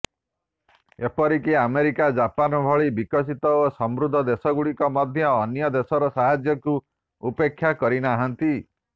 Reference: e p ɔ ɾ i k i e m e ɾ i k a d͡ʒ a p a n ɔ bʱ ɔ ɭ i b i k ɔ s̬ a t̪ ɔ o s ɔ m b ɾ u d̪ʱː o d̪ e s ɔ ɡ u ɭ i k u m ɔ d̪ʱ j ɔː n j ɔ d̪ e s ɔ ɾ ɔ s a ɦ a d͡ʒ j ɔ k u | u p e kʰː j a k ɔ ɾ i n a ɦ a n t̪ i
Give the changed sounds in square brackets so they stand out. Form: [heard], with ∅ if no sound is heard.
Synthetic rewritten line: e p ɔ ɾ i k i [a] m e ɾ i k a d͡ʒ a p a n ɔ bʱ ɔ ɭ i b i k ɔ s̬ [i] t̪ ɔ o s ɔ m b ɾ u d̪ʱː [ɔ] d̪ e s ɔ ɡ u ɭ i k [ɔ] m ɔ d̪ʱ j ɔː n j ɔ d̪ e s ɔ ɾ ɔ s a ɦ a d͡ʒ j ɔ k u | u p e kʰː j a k ɔ ɾ i n a ɦ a n t̪ i

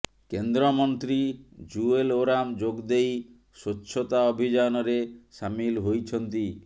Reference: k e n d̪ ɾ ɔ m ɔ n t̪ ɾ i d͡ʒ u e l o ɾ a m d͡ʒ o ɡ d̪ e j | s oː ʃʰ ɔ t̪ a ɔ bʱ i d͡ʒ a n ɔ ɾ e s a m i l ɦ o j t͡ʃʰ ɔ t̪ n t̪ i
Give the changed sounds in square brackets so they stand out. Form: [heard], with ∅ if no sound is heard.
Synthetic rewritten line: k e n d̪ ɾ ɔ m ɔ n t̪ ɾ i d͡ʒ u e l o ɾ a m d͡ʒ o ɡ d̪ e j | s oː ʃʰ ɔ t̪ a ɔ bʱ i d͡ʒ a n ɔ ɾ e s a m i l ɦ o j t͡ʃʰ ɔ [∅] n t̪ i

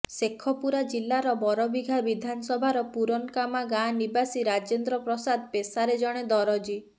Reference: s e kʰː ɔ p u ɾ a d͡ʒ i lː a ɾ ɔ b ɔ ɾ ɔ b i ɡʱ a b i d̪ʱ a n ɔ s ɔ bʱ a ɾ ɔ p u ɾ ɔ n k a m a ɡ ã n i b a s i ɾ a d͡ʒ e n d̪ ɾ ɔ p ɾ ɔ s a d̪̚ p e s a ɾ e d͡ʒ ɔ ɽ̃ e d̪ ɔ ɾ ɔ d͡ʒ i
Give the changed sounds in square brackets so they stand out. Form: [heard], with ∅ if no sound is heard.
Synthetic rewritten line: s e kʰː ɔ p u ɾ a d͡ʒ i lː a ɾ ɔ b ɔ ɾ ɔ b i ɡʱ a b i d̪ʱ a n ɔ s ɔ bʱ a ɾ ɔ p u ɾ ɔ n k a m a ɡ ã n i b a s i ɾ a d͡ʒ e n d̪ ɾ ɔ p ɾ ɔ s a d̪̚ p e s a ɾ e d͡ʒ ɔ ɽ̃ e d̪ ɔ ɾ ɔ d͡ʒ i

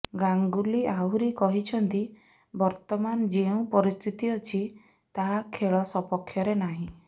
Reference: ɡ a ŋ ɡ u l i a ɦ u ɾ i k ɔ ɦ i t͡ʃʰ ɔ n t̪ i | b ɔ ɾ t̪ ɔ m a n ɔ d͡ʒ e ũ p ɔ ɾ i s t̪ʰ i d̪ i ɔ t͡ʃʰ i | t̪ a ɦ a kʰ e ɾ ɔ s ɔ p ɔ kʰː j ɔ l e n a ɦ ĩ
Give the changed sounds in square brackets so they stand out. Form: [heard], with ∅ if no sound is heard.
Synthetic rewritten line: ɡ a ŋ ɡ u l i a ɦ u ɾ i k ɔ ɦ i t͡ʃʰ ɔ n t̪ i | b ɔ ɾ t̪ ɔ m a n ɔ d͡ʒ e ũ p ɔ ɾ i s t̪ʰ i [t̪] i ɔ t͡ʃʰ i | t̪ a ɦ a kʰ e [ɭ] ɔ s ɔ p ɔ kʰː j ɔ [ɾ] e n a ɦ ĩ

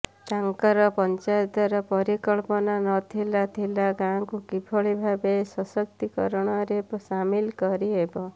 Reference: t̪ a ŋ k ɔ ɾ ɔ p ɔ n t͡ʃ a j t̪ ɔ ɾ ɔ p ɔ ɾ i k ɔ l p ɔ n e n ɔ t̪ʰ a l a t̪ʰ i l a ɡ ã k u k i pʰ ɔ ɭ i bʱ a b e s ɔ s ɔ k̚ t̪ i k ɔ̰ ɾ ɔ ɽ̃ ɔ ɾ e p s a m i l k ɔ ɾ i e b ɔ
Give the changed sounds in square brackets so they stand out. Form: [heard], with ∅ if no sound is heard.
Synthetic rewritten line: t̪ a ŋ k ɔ ɾ ɔ p ɔ n t͡ʃ a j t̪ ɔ ɾ ɔ p ɔ ɾ i k ɔ [ɭ] p ɔ n [a] n ɔ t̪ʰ [i] l a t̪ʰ i l a ɡ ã k u k i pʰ ɔ ɭ i bʱ a b e s ɔ s ɔ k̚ t̪ i k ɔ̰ ɾ ɔ ɽ̃ ɔ ɾ e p s a m i l k ɔ ɾ i e b ɔ

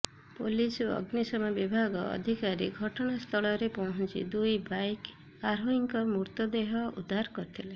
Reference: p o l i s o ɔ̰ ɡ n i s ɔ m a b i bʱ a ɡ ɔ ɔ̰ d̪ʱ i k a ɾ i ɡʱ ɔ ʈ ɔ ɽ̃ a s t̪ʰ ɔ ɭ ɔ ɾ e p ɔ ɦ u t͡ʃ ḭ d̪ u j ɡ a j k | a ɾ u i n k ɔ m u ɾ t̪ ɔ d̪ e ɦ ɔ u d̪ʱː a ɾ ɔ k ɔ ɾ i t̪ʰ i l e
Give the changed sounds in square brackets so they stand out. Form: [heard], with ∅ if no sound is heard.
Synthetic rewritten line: p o l i s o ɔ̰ ɡ n i s ɔ m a b i bʱ a ɡ ɔ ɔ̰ d̪ʱ i k a ɾ i ɡʱ ɔ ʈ ɔ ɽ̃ a s t̪ʰ ɔ ɭ ɔ ɾ e p ɔ ɦ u t͡ʃ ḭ d̪ u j [b] a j k | a ɾ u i [ŋ] k ɔ m u ɾ t̪ ɔ d̪ e ɦ ɔ u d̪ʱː a ɾ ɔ k ɔ ɾ i t̪ʰ i l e

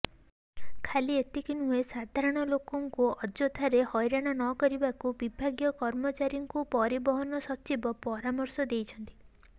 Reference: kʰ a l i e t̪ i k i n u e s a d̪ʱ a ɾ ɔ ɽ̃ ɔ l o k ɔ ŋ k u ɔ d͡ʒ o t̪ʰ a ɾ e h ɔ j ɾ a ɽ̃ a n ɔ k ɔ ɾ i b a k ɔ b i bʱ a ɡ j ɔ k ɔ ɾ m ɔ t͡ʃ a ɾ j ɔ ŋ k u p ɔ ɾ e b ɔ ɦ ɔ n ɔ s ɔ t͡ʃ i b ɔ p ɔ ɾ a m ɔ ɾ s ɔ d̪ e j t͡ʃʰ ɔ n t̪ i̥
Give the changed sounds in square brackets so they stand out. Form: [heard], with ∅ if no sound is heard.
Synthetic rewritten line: kʰ a l i e t̪ i k i n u e s a d̪ʱ a ɾ ɔ ɽ̃ ɔ l o k ɔ ŋ k u ɔ d͡ʒ o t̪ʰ a ɾ e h ɔ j ɾ a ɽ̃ a n ɔ k ɔ ɾ i b a k [u] b i bʱ a ɡ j ɔ k ɔ ɾ m ɔ t͡ʃ a ɾ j ɔ ŋ k u p ɔ ɾ [i] b ɔ ɦ ɔ n ɔ s ɔ t͡ʃ i b ɔ p ɔ ɾ a m ɔ ɾ s ɔ d̪ e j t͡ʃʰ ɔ n t̪ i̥

